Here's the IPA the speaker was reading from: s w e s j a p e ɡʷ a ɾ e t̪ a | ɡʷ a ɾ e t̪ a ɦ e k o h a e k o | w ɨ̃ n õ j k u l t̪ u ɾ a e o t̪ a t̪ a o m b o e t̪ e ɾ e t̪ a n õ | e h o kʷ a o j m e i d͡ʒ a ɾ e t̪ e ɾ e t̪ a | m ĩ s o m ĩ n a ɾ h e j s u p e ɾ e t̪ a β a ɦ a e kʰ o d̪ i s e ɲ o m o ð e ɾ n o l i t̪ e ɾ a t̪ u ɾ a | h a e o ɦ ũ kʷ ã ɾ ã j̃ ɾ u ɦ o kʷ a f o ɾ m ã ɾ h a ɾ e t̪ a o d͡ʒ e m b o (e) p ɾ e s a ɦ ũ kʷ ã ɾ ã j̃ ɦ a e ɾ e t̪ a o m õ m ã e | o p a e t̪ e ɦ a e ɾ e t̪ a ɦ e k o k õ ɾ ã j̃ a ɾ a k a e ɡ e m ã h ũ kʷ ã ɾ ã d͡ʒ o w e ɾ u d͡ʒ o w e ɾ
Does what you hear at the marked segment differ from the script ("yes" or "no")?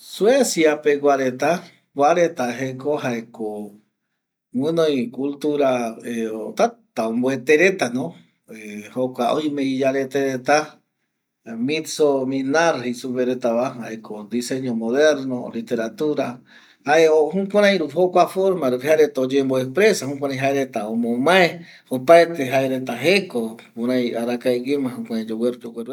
no